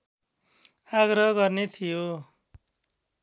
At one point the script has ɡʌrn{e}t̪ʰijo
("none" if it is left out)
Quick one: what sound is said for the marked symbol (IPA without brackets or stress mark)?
e